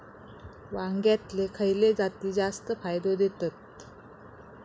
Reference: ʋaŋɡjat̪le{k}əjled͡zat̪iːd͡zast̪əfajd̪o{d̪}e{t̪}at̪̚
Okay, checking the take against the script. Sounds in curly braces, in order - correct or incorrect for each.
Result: incorrect: kʰ, correct, correct

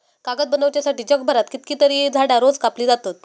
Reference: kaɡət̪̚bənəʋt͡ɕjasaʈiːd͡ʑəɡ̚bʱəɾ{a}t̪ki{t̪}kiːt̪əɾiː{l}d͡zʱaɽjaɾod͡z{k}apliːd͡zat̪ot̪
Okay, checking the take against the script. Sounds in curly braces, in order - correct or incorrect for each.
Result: correct, correct, incorrect: none, correct

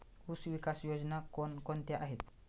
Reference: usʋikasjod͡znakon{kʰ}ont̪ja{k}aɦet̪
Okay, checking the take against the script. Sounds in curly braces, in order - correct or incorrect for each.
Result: incorrect: k, incorrect: ʔ

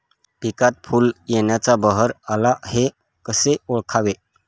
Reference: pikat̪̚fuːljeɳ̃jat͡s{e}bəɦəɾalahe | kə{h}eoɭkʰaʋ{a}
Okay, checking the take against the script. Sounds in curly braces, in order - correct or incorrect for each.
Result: incorrect: a, incorrect: s, incorrect: e

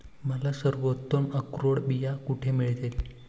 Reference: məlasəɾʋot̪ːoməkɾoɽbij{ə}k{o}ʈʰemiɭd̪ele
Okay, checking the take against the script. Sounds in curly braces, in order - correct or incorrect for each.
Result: incorrect: a, incorrect: u

